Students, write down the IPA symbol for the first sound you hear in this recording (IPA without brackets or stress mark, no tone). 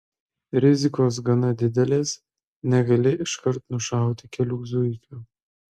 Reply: ɾʲ